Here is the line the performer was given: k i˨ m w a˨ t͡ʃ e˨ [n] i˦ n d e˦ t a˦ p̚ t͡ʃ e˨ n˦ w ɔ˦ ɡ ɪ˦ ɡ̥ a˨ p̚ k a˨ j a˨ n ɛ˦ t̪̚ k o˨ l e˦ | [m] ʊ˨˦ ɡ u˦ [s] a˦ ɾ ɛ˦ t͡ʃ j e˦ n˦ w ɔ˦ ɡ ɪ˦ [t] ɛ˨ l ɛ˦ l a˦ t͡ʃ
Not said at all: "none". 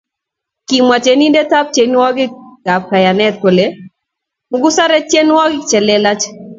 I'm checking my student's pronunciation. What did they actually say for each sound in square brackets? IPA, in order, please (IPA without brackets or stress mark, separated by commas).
n, m, s, t͡ʃ